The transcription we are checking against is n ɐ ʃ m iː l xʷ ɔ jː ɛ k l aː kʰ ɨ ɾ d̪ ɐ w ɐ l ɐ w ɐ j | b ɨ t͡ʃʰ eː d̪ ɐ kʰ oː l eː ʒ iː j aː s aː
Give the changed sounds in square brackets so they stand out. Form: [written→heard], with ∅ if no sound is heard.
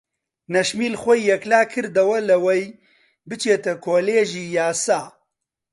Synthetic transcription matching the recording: n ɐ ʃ m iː l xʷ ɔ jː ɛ k l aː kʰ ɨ ɾ d̪ ɐ w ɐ l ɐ w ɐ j | b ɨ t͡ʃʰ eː [d̪→t̪] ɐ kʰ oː l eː ʒ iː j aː s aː